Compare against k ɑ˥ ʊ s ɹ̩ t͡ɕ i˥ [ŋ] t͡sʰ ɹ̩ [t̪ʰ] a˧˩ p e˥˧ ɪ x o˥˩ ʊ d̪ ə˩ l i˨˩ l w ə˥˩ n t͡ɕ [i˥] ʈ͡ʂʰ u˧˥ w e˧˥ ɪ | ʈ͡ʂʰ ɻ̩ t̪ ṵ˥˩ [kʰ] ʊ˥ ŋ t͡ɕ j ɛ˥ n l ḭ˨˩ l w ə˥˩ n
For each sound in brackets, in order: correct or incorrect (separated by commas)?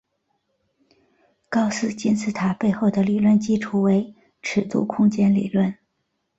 incorrect, correct, correct, correct